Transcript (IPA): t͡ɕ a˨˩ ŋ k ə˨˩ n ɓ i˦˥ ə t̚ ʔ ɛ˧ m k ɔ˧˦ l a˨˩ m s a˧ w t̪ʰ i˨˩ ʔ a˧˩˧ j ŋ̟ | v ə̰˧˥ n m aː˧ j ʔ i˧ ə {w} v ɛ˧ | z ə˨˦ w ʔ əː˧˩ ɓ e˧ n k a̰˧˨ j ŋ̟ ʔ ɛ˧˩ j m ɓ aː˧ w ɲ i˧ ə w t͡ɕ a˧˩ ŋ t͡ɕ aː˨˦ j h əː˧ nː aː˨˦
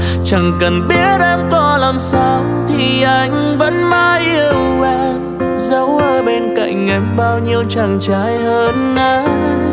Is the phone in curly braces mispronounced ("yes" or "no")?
no